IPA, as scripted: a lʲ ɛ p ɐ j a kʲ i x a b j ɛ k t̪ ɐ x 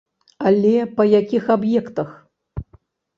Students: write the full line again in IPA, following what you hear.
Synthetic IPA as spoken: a lʲ ɛ p ɐ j a kʲ i x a b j ɛ k t̪ ɐ x